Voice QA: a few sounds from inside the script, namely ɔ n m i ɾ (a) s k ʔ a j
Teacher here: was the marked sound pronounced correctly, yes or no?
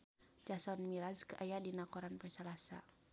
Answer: yes